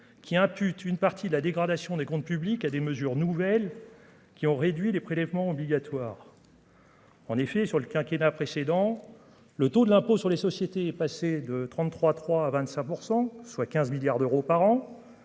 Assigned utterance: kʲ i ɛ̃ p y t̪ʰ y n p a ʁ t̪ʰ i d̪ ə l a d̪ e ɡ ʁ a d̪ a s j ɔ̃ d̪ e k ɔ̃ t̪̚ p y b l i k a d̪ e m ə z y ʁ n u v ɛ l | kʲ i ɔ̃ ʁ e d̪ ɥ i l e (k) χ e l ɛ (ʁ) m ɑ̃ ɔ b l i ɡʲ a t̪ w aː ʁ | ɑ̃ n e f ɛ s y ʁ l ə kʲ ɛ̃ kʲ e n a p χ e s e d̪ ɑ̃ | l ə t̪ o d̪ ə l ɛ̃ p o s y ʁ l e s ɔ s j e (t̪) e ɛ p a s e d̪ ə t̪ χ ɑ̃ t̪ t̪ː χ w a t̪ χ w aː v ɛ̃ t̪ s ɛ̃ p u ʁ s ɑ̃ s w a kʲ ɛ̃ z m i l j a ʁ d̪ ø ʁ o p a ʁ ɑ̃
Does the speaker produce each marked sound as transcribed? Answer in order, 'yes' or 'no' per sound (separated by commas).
no, no, yes